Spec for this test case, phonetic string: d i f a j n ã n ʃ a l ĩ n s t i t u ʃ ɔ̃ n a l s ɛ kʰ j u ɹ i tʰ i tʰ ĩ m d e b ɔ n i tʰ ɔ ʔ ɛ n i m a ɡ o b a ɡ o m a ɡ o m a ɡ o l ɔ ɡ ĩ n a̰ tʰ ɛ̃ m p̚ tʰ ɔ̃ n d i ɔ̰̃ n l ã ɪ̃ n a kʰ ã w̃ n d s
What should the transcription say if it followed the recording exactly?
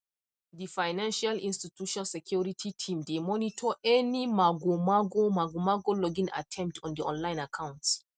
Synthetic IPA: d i f a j n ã n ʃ a l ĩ n s t i t u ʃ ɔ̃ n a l s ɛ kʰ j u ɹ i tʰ i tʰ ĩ m d e m ɔ n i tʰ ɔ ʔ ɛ n i m a ɡ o m a ɡ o m a ɡ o m a ɡ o l ɔ ɡ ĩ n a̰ tʰ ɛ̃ m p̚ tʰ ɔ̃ n d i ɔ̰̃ n l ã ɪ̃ n a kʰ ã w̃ n t s